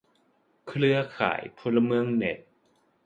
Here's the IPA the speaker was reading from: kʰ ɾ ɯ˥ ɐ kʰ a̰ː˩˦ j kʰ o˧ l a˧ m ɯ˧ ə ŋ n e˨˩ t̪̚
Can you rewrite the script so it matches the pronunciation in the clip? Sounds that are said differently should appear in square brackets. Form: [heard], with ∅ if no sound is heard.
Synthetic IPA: kʰ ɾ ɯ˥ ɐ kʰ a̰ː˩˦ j [pʰ] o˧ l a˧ m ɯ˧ ə ŋ n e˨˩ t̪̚